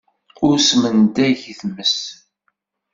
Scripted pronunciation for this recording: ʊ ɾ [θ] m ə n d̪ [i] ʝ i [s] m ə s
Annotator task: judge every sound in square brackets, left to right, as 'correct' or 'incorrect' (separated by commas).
incorrect, incorrect, incorrect